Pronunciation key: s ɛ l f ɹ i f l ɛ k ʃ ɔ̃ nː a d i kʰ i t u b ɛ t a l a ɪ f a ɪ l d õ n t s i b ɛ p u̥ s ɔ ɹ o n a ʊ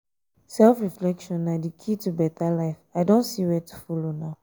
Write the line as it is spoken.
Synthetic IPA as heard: s ɛ l f ɹ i f l ɛ k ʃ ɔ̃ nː a d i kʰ i t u b ɛ t a l a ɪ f a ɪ d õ n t s i w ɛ t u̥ f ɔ l o n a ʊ